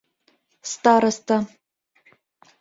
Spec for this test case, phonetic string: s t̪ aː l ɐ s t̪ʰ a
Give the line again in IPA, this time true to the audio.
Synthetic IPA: s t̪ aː ɾ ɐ s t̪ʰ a